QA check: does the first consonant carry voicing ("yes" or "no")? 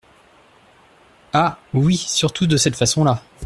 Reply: yes